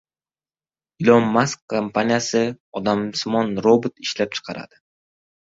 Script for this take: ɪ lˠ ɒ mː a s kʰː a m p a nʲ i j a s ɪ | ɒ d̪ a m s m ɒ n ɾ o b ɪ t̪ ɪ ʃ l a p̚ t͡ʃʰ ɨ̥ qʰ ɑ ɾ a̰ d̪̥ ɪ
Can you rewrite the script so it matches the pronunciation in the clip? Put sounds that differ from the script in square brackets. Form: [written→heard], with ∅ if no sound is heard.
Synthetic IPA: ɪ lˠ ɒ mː a s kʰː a m p a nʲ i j a s ɪ | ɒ d̪ a m s m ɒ n ɾ o b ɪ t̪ ɪ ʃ l a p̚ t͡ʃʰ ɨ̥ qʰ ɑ ɾ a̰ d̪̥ ɪ

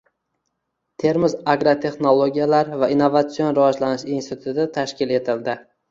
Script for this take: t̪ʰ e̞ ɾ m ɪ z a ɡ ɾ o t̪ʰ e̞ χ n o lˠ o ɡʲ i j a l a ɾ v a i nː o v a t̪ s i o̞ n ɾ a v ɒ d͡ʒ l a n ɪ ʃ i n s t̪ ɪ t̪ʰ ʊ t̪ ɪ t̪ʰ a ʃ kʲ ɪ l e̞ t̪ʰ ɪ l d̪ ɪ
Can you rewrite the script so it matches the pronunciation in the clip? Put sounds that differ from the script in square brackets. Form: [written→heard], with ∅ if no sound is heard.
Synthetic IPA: t̪ʰ e̞ ɾ m ɪ z a ɡ ɾ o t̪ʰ e̞ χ n o lˠ o ɡʲ i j a l a ɾ v a i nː o v a t̪ s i o̞ n ɾ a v ɒ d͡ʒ l a n ɪ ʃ i n s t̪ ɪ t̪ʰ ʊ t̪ ɪ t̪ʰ a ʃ kʲ ɪ l e̞ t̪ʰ ɪ l d̪ ɪ

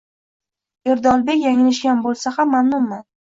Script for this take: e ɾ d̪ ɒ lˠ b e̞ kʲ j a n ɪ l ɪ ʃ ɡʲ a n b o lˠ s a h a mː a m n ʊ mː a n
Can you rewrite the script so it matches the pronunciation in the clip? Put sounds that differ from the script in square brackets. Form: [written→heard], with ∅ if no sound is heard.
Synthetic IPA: e ɾ d̪ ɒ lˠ b e̞ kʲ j a [n→ŋ] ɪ l ɪ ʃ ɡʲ a n b o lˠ s a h a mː a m n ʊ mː a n

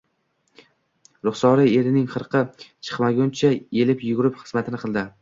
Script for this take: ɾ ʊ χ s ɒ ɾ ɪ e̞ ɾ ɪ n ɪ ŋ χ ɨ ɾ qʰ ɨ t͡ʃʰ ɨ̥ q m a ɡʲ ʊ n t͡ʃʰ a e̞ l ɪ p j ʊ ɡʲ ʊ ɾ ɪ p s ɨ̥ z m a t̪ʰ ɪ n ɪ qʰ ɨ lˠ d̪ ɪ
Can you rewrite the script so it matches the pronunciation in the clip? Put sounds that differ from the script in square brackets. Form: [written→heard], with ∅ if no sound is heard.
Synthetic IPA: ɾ ʊ χ s ɒ ɾ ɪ e̞ ɾ ɪ n ɪ ŋ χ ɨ ɾ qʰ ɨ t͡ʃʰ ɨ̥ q m a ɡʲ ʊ n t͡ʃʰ a e̞ l ɪ p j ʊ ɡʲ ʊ ɾ ɪ p [s→χ] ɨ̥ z m a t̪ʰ ɪ n ɪ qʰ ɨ lˠ d̪ ɪ

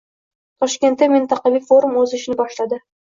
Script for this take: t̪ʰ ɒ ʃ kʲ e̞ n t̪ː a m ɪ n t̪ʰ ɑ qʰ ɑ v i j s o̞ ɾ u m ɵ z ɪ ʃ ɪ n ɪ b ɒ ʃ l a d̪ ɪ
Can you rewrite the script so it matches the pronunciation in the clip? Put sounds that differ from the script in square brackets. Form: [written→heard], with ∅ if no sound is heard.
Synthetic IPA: t̪ʰ ɒ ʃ kʲ e̞ n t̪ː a m ɪ n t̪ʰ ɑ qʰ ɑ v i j [s→f] o̞ ɾ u m ɵ z ɪ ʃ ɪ n ɪ b ɒ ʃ l a d̪ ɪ

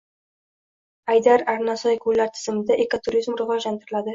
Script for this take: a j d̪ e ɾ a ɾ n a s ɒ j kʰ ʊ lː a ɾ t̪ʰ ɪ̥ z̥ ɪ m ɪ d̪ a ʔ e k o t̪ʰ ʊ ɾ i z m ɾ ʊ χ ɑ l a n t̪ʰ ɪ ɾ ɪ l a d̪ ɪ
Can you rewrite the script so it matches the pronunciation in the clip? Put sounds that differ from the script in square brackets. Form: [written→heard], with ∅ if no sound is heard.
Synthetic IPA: a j d̪ [e→a] ɾ a ɾ n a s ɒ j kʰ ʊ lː a ɾ t̪ʰ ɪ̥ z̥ ɪ m ɪ d̪ a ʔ e k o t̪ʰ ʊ ɾ i z m ɾ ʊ [χ→ʁ] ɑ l a n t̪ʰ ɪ ɾ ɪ l a d̪ ɪ

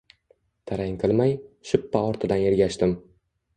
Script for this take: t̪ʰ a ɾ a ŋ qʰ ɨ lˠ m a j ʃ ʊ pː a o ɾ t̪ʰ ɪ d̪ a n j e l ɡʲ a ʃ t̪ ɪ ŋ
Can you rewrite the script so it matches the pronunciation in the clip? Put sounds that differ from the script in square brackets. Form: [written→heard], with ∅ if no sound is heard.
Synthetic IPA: t̪ʰ a ɾ a ŋ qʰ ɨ lˠ m a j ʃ ʊ pː a [o→ɒ] ɾ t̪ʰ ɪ d̪ a n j e [l→ɾ] ɡʲ a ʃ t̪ ɪ [ŋ→m]

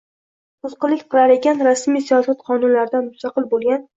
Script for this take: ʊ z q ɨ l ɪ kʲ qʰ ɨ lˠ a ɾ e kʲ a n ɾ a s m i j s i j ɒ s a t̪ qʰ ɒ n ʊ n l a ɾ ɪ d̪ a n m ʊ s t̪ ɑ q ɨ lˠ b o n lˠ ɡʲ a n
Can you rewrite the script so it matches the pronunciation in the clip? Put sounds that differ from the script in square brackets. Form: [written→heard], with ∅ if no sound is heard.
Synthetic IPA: ʊ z q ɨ l ɪ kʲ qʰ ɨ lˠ a ɾ e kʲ a n ɾ a s m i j s i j ɒ s a t̪ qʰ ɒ n ʊ n l a ɾ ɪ d̪ a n m ʊ s t̪ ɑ q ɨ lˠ b o [n→∅] lˠ ɡʲ a n

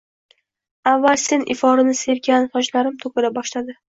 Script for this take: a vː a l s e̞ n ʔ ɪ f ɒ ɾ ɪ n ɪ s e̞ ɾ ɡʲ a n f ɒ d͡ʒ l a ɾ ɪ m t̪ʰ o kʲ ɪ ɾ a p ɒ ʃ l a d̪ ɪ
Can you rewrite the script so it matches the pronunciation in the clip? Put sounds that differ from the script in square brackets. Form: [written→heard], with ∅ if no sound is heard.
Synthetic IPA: a vː a l s e̞ n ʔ ɪ f ɒ ɾ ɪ n ɪ s e̞ ɾ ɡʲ a n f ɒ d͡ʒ l a ɾ ɪ m t̪ʰ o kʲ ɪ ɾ a [p→b] ɒ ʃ l a d̪ ɪ

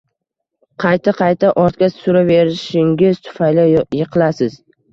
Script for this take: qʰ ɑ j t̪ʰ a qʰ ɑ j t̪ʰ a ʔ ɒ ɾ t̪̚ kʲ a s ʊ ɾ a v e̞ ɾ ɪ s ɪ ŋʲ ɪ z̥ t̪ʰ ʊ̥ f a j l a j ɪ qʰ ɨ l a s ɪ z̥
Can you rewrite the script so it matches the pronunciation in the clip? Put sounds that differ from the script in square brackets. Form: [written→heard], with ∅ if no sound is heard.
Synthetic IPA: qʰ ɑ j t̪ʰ a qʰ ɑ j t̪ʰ a ʔ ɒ ɾ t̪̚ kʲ a s ʊ ɾ a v e̞ ɾ ɪ [s→ʃ] ɪ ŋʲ ɪ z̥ t̪ʰ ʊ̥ f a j l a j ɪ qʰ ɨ l a s ɪ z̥

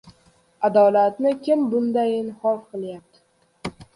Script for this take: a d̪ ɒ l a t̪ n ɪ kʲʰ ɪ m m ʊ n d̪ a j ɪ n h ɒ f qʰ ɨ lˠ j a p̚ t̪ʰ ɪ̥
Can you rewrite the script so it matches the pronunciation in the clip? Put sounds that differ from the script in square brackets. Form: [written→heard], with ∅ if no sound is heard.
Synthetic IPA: a d̪ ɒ l a t̪ n ɪ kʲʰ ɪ m [m→b] ʊ n d̪ a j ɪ n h ɒ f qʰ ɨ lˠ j a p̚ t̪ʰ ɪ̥

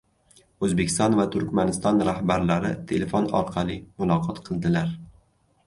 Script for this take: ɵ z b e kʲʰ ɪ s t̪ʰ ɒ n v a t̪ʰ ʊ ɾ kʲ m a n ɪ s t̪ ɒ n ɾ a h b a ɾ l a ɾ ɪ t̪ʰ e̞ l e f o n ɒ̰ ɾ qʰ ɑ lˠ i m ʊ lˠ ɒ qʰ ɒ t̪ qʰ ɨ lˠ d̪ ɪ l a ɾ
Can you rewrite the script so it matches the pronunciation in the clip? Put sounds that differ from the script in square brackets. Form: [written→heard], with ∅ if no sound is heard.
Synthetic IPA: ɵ z b e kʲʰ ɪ s [t̪ʰ→t̪] ɒ n v a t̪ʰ ʊ ɾ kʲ m a n ɪ s t̪ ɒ n ɾ a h b a ɾ l a ɾ ɪ t̪ʰ e̞ l e f o n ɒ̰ ɾ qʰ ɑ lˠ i m ʊ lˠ ɒ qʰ ɒ t̪ qʰ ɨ lˠ d̪ ɪ l a ɾ

